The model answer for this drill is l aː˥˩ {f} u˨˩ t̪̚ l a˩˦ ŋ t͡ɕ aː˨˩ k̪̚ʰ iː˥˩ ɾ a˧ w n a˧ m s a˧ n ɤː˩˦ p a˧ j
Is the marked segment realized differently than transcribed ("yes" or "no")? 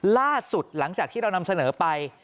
yes